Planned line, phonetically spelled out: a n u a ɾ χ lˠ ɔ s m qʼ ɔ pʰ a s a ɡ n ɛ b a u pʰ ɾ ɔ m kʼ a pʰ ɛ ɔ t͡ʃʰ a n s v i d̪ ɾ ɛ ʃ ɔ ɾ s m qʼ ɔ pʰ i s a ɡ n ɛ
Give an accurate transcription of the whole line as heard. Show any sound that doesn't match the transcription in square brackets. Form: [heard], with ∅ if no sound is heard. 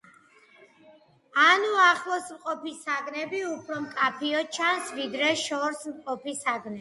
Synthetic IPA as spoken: a n u a [∅] χ lˠ ɔ s m qʼ ɔ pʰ [i] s a ɡ n ɛ b [i] u pʰ ɾ ɔ m kʼ a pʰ [i] ɔ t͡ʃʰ a n s v i d̪ ɾ ɛ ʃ ɔ ɾ s m qʼ ɔ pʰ i s a ɡ n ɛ